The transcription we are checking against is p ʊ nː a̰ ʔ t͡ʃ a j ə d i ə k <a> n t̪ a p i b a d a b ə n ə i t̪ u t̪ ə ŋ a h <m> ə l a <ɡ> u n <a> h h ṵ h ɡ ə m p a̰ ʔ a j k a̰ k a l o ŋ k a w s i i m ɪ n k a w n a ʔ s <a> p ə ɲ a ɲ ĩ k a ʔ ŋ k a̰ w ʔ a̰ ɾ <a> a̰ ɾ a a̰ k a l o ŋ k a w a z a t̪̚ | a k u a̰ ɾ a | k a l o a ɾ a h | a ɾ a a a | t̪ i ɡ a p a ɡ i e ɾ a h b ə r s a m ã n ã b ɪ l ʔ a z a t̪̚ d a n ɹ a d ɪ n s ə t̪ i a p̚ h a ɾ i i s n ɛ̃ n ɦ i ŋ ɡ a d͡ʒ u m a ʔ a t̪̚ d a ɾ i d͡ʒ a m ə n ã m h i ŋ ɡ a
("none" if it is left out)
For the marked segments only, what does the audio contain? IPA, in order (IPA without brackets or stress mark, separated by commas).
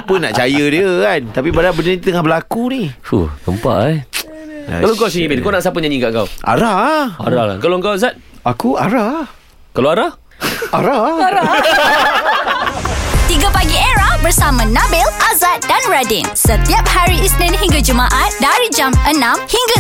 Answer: a, b, k, i, a, a